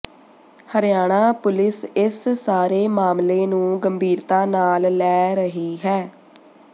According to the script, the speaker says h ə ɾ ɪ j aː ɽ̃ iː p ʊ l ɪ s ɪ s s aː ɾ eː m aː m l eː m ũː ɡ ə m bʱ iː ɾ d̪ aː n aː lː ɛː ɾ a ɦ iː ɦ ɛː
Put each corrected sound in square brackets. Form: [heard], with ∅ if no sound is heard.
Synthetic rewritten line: h ə ɾ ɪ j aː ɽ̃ [aː] p ʊ l ɪ s ɪ s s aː ɾ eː m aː m l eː [n] ũː ɡ ə m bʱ iː ɾ [t̪] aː n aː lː ɛː ɾ [ə] ɦ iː ɦ ɛː

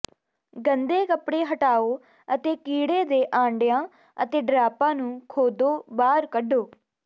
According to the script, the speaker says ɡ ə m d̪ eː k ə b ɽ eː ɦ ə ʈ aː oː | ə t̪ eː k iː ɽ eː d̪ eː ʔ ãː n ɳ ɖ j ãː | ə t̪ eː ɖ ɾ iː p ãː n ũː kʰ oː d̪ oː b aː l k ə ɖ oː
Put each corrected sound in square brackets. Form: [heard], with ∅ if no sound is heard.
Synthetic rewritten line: ɡ ə [n] d̪ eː k ə [p] ɽ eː ɦ ə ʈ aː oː | ə t̪ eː k iː ɽ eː d̪ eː ʔ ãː [∅] ɳ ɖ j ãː | ə t̪ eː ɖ ɾ [aː] p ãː n ũː kʰ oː d̪ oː b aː [ɾ] k ə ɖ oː

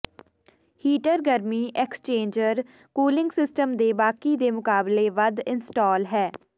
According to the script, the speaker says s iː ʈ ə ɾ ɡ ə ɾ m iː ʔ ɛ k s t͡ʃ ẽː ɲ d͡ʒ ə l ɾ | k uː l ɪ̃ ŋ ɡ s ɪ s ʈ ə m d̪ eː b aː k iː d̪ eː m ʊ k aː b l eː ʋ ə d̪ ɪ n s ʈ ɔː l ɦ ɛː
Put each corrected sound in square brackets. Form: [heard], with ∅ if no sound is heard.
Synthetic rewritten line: [h] iː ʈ ə ɾ ɡ ə ɾ m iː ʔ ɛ k s t͡ʃ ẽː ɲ d͡ʒ ə [∅] ɾ | k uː l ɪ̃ ŋ ɡ s ɪ s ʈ ə m d̪ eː b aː k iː d̪ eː m ʊ k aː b l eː ʋ ə d̪ ɪ n s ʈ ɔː l ɦ ɛː

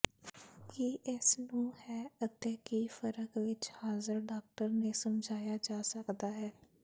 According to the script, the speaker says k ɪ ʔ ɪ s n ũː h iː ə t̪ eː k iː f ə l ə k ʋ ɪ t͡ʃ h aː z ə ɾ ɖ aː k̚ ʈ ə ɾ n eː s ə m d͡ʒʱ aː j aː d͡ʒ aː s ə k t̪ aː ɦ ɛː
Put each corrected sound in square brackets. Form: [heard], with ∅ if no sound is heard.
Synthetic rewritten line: k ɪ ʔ ɪ s n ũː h [ɛː] ə t̪ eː k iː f ə [ɾ] ə k ʋ ɪ t͡ʃ h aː z ə ɾ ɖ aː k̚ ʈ ə ɾ n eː s ə m d͡ʒʱ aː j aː d͡ʒ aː s ə k [d̪] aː ɦ ɛː

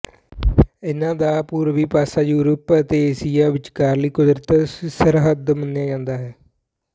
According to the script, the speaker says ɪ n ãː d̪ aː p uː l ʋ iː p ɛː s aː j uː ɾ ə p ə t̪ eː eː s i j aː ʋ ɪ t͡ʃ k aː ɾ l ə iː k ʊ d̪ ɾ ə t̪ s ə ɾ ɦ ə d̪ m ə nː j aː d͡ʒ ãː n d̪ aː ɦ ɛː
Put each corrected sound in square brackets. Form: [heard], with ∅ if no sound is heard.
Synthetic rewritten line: ɪ n ãː d̪ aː p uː [ɾ] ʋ iː p [aː] s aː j uː ɾ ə p ə t̪ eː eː s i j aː ʋ ɪ t͡ʃ k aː ɾ l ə iː k ʊ d̪ ɾ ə t̪ s ə ɾ ɦ ə d̪ m ə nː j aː d͡ʒ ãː n d̪ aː ɦ ɛː

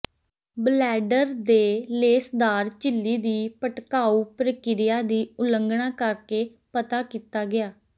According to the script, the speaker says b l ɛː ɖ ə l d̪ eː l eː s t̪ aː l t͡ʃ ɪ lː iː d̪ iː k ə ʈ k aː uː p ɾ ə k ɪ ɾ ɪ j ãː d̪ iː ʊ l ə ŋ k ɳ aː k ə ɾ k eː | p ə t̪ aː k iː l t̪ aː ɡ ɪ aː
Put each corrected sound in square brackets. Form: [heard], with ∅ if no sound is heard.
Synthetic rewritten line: b l ɛː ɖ ə [ɾ] d̪ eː l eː s [d̪] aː [ɾ] t͡ʃ ɪ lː iː d̪ iː [p] ə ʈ k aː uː p ɾ ə k ɪ ɾ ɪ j [aː] d̪ iː ʊ l ə ŋ [ɡ] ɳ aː k ə ɾ k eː | p ə t̪ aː k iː [∅] t̪ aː ɡ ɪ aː

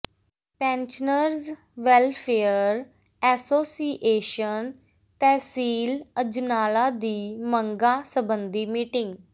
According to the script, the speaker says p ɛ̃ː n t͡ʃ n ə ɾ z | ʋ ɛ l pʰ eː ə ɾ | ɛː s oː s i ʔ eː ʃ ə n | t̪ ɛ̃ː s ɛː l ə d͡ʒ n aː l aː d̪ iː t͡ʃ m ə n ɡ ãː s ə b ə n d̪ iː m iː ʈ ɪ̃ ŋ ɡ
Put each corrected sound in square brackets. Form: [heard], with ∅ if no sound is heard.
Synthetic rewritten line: p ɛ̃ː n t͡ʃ n ə ɾ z | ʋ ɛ l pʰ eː ə ɾ | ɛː s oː s i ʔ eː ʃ ə n | t̪ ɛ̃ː s [iː] l ə d͡ʒ n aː l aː d̪ iː [∅] m ə [ŋ] ɡ [aː] s ə b ə n d̪ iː m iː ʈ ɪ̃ ŋ ɡ

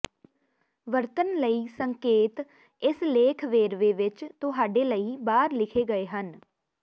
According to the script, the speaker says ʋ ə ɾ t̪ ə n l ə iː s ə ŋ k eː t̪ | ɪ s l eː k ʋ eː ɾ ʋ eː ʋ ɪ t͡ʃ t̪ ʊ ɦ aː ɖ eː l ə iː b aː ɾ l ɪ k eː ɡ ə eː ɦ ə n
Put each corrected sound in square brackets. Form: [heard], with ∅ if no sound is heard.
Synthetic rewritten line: ʋ ə ɾ t̪ ə n l ə iː s ə ŋ k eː t̪ | ɪ s l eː [kʰ] ʋ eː ɾ ʋ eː ʋ ɪ t͡ʃ t̪ ʊ ɦ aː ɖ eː l ə iː b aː ɾ l ɪ [kʰ] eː ɡ ə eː ɦ ə n

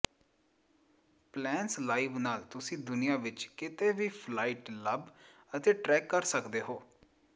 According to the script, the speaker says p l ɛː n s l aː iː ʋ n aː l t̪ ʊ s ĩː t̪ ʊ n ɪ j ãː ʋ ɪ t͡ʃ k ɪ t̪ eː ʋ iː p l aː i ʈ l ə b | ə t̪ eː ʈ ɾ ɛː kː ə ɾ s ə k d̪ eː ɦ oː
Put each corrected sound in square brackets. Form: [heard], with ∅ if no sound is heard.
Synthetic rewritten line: p l ɛː n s l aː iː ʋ n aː l t̪ ʊ s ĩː [d̪] ʊ n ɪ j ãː ʋ ɪ t͡ʃ k ɪ t̪ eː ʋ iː [pʰ] l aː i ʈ l ə b | ə t̪ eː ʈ ɾ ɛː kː ə ɾ s ə k d̪ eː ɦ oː

